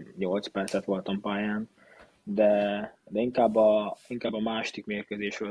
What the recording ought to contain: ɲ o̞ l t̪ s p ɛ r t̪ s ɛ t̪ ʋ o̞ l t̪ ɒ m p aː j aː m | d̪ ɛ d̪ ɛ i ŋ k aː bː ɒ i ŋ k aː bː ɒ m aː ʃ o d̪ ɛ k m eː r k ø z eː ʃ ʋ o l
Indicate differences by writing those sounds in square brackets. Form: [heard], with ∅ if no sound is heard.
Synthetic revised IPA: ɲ o̞ l t̪ s p ɛ r t̪ s ɛ t̪ ʋ o̞ l t̪ ɒ m p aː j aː [n] | d̪ ɛ d̪ ɛ i ŋ k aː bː ɒ i ŋ k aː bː ɒ m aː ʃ o d̪ [i] k m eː r k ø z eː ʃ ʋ o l